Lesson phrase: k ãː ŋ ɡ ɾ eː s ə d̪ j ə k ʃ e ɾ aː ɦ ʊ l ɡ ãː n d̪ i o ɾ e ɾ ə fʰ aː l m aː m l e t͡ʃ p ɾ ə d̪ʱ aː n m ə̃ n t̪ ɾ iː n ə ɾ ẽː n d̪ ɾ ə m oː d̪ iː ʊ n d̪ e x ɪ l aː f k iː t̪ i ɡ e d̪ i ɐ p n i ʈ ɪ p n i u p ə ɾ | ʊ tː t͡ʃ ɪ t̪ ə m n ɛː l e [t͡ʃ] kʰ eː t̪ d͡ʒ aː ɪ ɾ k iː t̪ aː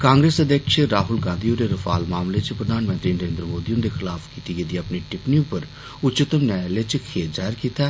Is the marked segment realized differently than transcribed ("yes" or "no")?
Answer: no